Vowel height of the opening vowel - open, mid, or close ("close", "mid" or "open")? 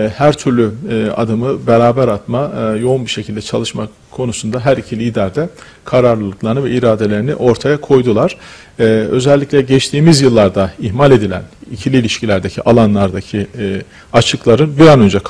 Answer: open